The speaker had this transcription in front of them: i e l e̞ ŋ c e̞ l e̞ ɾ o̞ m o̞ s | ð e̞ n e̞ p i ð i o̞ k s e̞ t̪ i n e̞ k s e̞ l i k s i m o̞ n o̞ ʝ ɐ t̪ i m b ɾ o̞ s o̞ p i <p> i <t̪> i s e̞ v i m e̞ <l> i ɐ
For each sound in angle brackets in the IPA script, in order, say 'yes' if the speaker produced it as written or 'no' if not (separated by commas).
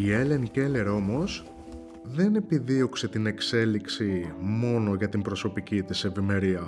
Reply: no, yes, no